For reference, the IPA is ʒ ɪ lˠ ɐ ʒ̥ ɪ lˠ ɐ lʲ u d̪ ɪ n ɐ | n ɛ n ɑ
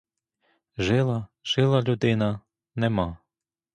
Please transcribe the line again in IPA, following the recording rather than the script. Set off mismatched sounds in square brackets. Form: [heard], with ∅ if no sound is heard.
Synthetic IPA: ʒ ɪ lˠ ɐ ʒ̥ ɪ lˠ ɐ lʲ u d̪ ɪ n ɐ | n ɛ [m] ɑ

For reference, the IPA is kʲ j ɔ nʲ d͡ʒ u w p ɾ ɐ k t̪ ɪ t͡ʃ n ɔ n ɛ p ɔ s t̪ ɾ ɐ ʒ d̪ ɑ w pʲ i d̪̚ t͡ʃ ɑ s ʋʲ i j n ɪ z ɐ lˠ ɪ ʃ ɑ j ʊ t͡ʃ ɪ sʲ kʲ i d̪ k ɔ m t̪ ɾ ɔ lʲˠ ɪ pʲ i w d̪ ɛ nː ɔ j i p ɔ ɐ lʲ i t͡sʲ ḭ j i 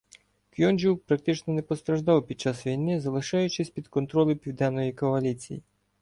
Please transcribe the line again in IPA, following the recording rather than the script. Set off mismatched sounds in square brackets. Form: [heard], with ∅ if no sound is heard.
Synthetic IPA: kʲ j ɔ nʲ d͡ʒ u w p ɾ ɐ k t̪ ɪ t͡ʃ n ɔ n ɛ p ɔ s t̪ ɾ ɐ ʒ d̪ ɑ w pʲ i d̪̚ t͡ʃ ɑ s ʋʲ i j n ɪ z ɐ lˠ ɪ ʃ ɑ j ʊ t͡ʃ ɪ sʲ [pʲ] i d̪ k ɔ [n] t̪ ɾ ɔ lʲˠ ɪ pʲ i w d̪ ɛ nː ɔ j i [k] ɔ ɐ lʲ i t͡sʲ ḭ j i

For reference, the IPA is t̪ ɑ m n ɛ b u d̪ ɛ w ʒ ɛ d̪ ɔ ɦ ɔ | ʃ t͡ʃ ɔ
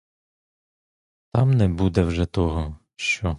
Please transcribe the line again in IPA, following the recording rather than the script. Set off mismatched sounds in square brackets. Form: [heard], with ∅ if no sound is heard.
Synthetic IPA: t̪ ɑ m n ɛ b u d̪ ɛ w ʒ ɛ [t̪] ɔ ɦ ɔ | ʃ t͡ʃ ɔ

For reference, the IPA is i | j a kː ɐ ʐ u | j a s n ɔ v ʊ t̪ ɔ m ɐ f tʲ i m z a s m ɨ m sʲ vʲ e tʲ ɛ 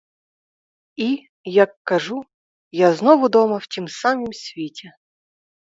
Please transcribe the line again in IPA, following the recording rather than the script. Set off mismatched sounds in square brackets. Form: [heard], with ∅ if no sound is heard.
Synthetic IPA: i | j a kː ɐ ʐ u | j a [z] n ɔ v ʊ [d̪] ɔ m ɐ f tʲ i m [s] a [∅] m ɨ m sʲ vʲ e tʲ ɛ

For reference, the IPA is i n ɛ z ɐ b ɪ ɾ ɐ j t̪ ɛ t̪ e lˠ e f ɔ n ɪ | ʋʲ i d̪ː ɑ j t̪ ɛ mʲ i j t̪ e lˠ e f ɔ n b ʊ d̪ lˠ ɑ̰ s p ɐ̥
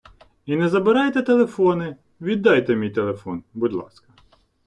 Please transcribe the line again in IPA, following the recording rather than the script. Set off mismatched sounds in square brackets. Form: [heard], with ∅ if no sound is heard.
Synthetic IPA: i n ɛ z ɐ b ɪ ɾ [ɑ] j t̪ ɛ t̪ e lˠ e f ɔ n ɪ | ʋʲ i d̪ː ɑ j t̪ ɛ mʲ i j t̪ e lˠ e f ɔ n b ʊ d̪ lˠ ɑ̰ s [k] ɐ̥

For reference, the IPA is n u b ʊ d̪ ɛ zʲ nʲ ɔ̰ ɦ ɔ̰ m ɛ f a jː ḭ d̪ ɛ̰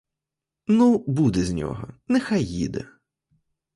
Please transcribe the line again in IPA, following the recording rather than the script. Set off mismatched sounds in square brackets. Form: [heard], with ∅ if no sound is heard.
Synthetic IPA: n u b [u] d̪ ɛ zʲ nʲ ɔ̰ ɦ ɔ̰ [n] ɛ [x] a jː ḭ d̪ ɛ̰

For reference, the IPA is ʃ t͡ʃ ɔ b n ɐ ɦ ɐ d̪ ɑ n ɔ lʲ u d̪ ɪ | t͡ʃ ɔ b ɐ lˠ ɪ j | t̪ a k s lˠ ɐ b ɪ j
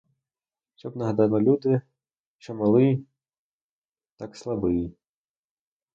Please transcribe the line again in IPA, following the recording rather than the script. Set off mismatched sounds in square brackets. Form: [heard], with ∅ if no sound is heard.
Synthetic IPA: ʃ t͡ʃ ɔ b n ɐ ɦ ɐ d̪ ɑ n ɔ lʲ u d̪ ɪ | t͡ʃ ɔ [m] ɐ lˠ ɪ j | t̪ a k s lˠ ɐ b ɪ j

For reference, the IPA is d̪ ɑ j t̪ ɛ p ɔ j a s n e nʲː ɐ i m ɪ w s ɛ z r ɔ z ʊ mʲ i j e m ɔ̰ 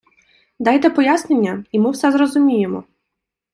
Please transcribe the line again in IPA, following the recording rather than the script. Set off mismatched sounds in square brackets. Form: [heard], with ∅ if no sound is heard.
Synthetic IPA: d̪ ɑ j t̪ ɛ p ɔ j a s n e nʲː ɐ i m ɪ w s ɛ z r ɔ z ʊ mʲ i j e m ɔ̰

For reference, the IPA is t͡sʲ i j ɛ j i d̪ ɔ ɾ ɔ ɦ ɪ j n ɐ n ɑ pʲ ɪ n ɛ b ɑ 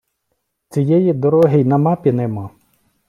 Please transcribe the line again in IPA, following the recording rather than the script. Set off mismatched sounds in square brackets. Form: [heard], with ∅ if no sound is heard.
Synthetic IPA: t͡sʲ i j ɛ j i d̪ ɔ ɾ ɔ ɦ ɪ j n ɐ [m] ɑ pʲ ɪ n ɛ [m] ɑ

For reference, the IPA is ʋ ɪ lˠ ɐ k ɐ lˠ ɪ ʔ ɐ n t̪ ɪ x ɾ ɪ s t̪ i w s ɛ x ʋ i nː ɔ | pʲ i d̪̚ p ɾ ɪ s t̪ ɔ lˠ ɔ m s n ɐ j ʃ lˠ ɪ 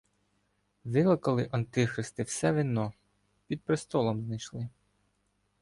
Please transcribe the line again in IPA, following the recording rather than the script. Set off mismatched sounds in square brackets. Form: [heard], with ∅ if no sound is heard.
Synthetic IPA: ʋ ɪ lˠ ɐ k ɐ lˠ ɪ ʔ ɐ n t̪ ɪ x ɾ ɪ s t̪ [ɪ] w s ɛ [∅] ʋ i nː ɔ | pʲ i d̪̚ p ɾ ɪ s t̪ ɔ lˠ ɔ m [z] n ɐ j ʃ lˠ ɪ

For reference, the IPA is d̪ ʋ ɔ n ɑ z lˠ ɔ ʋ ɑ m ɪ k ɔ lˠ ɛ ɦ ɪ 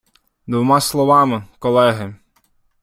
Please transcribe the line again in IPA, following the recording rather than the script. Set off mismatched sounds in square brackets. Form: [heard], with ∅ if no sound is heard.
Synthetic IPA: d̪ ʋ ɔ [m] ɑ [s] lˠ ɔ ʋ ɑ m ɪ k ɔ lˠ ɛ ɦ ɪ

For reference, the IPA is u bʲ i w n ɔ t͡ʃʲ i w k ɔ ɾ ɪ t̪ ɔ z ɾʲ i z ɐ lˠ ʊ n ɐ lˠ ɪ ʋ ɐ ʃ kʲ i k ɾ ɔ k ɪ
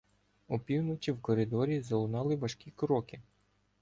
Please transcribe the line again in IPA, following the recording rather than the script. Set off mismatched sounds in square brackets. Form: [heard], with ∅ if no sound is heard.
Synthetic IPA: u [pʲ] i w n ɔ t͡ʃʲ i w k ɔ ɾ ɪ [d̪] ɔ [∅] ɾʲ i z ɐ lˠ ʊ n [ɑ] lˠ ɪ ʋ ɐ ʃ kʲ i k ɾ ɔ k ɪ

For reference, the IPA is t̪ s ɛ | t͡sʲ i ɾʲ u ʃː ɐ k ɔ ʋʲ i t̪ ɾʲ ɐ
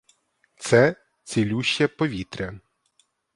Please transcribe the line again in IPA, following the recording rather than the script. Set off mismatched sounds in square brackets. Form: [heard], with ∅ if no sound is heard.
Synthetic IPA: t̪ s ɛ | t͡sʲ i [lʲ] u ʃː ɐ [p] ɔ ʋʲ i t̪ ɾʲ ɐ

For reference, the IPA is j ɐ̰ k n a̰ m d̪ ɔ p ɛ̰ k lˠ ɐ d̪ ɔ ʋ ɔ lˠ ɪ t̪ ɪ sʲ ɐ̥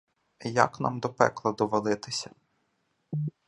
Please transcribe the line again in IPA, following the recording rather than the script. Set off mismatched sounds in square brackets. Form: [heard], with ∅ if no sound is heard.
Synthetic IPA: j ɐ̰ k n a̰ m d̪ ɔ p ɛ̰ k lˠ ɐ d̪ ɔ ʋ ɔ lˠ ɪ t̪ ɪ sʲ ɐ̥

